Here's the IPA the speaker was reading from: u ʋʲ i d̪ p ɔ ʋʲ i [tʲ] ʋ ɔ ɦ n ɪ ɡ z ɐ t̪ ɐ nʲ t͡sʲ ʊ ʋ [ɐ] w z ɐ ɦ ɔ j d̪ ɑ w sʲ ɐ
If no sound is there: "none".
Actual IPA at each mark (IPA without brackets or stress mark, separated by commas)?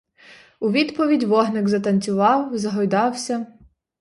dʲ, ɑ